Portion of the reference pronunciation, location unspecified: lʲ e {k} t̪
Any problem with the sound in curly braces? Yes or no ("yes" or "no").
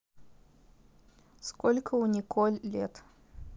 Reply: yes